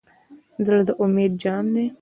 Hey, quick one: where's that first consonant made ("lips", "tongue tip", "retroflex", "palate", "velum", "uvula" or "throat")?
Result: tongue tip